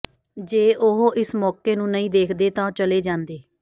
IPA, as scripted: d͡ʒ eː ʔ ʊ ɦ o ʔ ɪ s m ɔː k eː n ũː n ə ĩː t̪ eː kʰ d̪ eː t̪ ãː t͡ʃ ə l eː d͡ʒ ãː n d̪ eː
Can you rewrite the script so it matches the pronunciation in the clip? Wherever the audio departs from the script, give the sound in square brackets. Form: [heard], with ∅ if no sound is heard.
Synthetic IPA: d͡ʒ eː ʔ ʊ ɦ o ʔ ɪ s m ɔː k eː n ũː n ə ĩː [d̪] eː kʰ d̪ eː t̪ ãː t͡ʃ ə l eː d͡ʒ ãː n d̪ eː